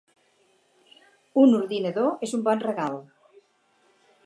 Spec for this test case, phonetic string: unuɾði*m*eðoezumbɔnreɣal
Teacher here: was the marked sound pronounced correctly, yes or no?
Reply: no